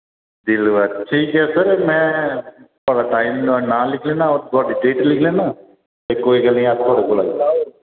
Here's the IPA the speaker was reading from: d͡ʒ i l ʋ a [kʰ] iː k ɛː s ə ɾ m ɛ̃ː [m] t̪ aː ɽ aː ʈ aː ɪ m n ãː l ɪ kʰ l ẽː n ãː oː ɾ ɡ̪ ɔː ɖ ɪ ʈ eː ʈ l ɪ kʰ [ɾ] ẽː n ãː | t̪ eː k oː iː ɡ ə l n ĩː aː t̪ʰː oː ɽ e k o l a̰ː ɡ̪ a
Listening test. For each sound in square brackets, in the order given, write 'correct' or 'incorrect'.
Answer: incorrect: ʈʰ, incorrect: none, incorrect: l

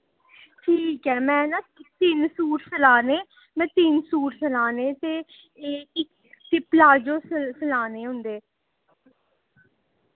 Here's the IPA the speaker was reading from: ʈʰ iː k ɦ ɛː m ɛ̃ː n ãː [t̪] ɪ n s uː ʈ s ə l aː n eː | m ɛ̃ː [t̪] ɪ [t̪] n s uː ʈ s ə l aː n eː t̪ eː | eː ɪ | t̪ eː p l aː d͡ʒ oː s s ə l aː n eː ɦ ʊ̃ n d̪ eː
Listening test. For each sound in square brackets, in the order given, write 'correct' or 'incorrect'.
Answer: correct, correct, incorrect: none

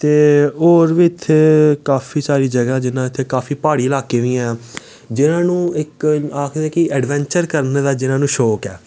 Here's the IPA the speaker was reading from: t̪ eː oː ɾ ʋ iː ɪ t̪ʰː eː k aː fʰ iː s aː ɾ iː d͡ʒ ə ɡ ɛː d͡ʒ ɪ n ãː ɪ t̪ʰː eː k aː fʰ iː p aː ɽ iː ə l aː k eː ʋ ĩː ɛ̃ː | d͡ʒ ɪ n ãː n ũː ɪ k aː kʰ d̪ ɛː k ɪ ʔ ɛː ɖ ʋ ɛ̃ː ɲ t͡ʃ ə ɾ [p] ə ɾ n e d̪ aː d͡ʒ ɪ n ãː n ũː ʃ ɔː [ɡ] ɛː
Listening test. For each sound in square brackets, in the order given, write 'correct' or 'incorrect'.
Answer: incorrect: k, incorrect: k

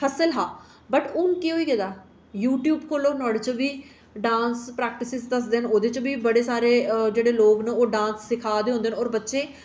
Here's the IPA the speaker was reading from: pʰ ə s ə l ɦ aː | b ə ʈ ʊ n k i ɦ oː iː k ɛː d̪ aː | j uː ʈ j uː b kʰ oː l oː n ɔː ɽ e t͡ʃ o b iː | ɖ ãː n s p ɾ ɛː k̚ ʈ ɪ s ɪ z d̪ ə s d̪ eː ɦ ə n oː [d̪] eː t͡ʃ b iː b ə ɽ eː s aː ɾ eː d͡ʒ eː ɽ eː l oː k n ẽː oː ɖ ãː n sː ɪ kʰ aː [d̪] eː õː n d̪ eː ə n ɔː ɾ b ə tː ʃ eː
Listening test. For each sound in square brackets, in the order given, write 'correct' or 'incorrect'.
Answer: correct, correct

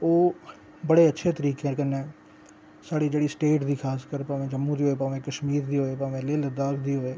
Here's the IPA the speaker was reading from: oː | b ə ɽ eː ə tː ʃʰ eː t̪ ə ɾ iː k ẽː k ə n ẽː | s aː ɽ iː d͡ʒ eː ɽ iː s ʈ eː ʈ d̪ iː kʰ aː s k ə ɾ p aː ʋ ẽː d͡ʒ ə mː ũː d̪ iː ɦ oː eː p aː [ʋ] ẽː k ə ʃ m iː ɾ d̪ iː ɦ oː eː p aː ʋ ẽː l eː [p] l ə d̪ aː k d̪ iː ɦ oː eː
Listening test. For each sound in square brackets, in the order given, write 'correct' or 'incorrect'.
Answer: correct, incorrect: none

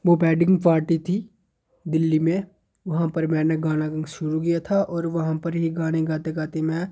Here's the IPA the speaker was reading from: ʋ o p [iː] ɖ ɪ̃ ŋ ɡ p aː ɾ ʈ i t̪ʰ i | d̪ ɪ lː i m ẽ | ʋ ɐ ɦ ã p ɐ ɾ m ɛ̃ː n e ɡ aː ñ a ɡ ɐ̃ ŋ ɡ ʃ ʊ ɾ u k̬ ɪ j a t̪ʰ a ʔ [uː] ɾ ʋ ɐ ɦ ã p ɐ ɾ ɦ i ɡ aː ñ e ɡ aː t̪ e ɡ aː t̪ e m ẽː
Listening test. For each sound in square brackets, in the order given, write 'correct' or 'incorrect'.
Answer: incorrect: ɛː, incorrect: ɔː

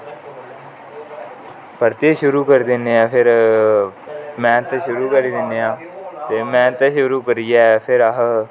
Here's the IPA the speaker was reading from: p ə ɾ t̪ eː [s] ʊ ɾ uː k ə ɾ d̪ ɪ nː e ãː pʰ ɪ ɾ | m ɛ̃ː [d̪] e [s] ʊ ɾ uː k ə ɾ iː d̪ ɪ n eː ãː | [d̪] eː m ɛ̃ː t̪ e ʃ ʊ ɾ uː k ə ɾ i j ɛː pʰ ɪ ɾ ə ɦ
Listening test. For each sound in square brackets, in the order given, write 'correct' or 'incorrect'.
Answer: incorrect: ʃ, incorrect: t̪, incorrect: ʃ, incorrect: t̪

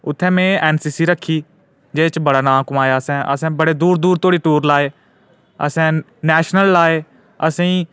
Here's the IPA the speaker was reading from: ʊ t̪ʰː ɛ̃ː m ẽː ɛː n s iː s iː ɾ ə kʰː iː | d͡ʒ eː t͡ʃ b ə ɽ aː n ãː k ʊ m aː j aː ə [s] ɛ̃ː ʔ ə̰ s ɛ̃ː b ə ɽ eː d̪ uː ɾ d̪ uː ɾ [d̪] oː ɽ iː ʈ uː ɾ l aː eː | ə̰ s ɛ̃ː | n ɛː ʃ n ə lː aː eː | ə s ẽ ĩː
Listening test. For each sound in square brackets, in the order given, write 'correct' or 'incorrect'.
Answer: correct, incorrect: t̪

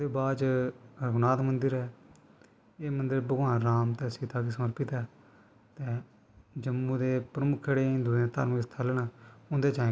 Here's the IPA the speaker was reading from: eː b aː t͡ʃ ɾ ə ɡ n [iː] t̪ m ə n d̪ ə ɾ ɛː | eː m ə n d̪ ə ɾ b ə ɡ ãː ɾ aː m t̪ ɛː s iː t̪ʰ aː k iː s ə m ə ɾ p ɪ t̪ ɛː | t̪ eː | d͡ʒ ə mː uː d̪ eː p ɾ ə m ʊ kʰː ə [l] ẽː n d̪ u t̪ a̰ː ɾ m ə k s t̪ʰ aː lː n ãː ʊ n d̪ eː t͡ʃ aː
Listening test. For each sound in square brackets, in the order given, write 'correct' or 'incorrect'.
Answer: incorrect: aː, incorrect: ɽ

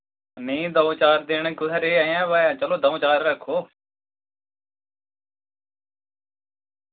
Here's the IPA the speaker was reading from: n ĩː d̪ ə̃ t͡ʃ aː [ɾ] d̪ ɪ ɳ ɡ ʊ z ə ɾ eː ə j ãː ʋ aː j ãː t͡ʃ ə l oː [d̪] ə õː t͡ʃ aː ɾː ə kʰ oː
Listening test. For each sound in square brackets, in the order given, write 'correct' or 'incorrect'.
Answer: correct, correct

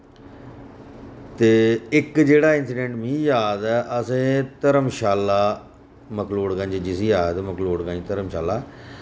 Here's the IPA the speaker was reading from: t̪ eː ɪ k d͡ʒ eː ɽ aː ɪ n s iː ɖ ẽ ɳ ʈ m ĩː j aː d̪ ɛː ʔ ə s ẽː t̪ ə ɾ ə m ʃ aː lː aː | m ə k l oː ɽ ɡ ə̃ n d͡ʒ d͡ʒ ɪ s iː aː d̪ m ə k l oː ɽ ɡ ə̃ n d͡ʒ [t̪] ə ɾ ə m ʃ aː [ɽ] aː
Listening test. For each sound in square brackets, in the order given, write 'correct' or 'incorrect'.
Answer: correct, incorrect: l

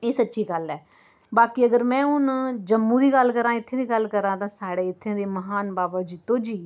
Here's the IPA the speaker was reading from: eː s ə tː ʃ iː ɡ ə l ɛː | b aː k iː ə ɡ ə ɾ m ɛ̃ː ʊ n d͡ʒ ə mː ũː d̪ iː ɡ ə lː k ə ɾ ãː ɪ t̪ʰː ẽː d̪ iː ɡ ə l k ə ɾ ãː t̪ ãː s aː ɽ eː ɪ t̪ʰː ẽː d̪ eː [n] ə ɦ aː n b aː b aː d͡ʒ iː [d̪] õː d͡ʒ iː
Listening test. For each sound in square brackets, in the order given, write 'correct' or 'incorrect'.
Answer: incorrect: m, incorrect: t̪

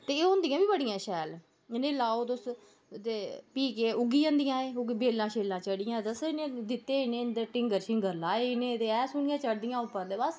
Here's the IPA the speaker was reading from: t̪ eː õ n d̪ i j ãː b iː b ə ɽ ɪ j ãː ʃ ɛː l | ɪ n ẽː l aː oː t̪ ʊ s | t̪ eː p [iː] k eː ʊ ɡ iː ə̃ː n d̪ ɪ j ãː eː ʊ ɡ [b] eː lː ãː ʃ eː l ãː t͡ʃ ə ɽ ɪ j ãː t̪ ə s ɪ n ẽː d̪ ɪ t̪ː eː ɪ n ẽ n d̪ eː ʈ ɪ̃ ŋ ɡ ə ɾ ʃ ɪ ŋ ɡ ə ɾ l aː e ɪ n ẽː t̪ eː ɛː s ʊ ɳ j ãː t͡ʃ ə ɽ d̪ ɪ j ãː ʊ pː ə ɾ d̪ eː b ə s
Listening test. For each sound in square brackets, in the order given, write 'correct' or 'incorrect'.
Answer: correct, correct

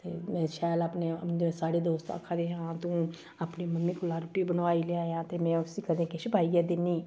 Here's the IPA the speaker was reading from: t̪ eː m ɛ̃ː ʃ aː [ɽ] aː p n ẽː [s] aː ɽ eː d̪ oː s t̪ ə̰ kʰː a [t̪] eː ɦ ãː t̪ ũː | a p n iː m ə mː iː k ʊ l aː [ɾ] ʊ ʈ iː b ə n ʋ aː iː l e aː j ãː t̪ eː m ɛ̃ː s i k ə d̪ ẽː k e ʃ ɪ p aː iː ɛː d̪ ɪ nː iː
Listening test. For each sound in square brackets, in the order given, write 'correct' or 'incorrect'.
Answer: incorrect: l, correct, incorrect: d̪, correct

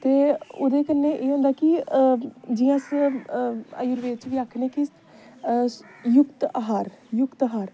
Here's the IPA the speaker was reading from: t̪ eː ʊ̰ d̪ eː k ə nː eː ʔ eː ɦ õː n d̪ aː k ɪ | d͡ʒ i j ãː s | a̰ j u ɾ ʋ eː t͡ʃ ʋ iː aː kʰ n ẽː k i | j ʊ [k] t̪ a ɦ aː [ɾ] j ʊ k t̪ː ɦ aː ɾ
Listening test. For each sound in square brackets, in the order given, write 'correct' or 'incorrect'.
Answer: correct, correct

